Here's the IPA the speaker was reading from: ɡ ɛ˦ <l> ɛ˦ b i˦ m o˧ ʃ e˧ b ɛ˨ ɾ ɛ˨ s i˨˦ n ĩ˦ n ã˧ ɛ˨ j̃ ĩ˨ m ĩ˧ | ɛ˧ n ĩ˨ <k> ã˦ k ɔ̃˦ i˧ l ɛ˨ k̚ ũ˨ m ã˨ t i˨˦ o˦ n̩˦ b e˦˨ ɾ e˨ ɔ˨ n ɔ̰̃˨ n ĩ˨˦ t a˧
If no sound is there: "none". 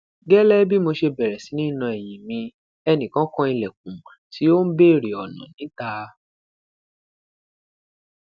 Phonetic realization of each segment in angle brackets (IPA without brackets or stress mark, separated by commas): l, k